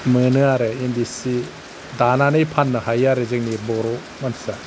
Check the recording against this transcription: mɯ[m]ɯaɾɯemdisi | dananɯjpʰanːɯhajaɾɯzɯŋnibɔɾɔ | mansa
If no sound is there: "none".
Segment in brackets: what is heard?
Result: n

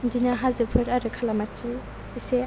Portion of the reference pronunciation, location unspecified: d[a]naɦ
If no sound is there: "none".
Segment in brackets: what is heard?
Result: i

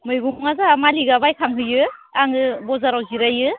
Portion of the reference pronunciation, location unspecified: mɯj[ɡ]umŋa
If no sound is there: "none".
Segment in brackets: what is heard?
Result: ɡ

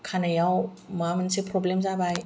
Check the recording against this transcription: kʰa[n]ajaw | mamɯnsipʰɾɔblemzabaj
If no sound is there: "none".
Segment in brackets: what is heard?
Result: n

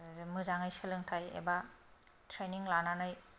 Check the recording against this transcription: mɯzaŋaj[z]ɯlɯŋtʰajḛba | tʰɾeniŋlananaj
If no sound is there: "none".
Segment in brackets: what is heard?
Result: s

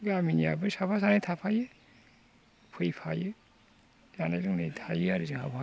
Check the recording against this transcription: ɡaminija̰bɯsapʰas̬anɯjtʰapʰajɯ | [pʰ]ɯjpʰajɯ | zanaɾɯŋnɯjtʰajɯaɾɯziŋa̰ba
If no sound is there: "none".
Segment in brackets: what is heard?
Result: pʰ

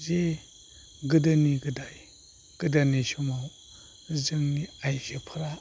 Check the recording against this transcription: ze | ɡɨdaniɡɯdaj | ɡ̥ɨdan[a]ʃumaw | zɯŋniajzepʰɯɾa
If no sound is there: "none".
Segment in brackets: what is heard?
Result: i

